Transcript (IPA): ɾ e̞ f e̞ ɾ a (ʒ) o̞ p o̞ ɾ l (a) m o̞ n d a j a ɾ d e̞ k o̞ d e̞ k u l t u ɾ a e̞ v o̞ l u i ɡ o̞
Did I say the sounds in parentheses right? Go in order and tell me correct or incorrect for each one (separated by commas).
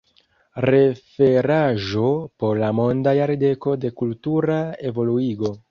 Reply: correct, correct